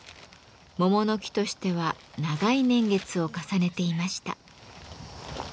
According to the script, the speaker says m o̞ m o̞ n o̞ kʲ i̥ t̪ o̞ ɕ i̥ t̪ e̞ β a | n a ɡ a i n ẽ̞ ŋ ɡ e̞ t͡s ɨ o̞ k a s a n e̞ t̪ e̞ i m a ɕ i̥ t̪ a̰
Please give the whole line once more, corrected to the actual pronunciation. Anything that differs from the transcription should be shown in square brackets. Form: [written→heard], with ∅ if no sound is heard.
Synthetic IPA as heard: m o̞ m o̞ n o̞ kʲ i̥ t̪ o̞ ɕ i̥ t̪ e̞ β a | n a ɡ a i n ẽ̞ ŋ ɡ e̞ t͡s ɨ o̞ k a s a n e̞ t̪ e̞ i m a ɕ i̥ t̪ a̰